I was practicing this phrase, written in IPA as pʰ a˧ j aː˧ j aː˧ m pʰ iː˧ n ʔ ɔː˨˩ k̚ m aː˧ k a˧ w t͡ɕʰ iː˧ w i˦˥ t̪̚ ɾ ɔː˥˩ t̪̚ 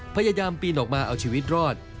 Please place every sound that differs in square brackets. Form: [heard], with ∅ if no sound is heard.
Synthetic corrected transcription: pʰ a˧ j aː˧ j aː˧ m [p] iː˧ n ʔ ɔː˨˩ k̚ m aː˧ [ʔ] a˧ w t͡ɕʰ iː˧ w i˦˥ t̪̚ ɾ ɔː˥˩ t̪̚